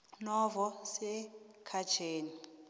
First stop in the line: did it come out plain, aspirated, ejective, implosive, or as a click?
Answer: aspirated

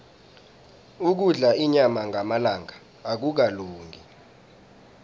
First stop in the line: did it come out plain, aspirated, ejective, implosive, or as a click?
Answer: plain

